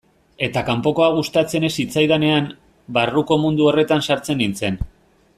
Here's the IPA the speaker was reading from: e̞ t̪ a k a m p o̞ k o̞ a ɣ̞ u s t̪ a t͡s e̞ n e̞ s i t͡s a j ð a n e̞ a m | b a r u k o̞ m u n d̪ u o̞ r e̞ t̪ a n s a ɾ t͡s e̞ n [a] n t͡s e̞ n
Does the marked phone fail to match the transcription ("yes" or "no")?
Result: yes